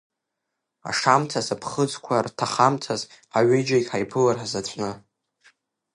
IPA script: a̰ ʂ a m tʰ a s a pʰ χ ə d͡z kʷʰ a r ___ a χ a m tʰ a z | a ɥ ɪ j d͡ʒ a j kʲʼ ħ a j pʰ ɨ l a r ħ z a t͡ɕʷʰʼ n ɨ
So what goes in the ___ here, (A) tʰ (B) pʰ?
A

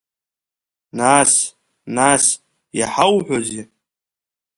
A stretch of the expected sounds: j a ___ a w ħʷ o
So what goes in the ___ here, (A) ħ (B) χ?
A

